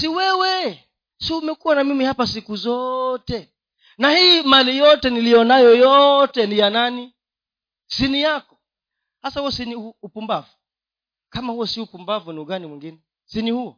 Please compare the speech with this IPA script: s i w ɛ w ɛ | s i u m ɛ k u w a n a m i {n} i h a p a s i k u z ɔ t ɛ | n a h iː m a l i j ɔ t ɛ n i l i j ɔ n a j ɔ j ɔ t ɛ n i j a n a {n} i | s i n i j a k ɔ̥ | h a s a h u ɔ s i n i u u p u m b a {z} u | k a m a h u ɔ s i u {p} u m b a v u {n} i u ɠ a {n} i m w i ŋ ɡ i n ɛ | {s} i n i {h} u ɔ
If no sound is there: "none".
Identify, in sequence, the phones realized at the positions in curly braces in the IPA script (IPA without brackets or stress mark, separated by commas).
m, n, v, p, n, n, s, h